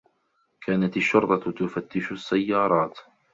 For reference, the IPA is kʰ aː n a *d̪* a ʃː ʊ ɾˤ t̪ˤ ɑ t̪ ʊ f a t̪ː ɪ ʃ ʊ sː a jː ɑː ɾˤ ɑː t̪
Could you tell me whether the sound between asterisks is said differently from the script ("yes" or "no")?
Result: yes